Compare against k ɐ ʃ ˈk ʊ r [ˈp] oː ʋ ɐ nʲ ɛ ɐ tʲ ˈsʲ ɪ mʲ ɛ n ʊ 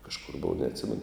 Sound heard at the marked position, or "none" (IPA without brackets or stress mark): b